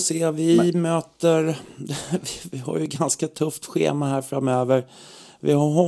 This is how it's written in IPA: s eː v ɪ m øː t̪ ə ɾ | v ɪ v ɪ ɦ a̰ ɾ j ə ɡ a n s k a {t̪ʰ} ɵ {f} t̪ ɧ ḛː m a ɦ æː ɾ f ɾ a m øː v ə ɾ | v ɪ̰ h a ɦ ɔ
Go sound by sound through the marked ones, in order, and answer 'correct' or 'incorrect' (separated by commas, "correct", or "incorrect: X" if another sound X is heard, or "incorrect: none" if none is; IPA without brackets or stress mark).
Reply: correct, correct